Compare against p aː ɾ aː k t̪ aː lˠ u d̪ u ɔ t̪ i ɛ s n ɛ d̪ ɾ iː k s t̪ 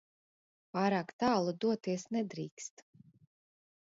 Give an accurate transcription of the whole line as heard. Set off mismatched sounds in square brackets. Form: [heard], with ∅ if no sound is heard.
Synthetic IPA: p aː ɾ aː k t̪ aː lˠ u d̪ u ɔ t̪ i ɛ s n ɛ d̪ ɾ iː k s t̪